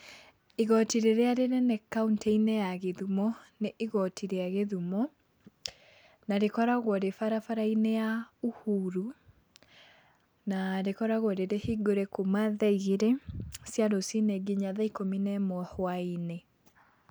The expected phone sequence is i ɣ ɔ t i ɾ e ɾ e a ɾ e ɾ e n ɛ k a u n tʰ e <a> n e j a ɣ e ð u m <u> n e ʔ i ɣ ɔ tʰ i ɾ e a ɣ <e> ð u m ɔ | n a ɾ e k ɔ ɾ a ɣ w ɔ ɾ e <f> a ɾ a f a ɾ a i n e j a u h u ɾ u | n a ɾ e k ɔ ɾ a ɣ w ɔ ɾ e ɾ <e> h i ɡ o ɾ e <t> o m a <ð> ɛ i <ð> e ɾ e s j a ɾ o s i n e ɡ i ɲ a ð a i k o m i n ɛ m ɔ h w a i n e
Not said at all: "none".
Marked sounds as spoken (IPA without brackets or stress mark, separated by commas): i, ɔ, e, f, e, k, ð, ɣ